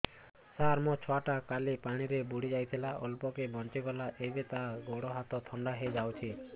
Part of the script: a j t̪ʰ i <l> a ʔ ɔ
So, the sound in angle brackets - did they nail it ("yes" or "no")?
yes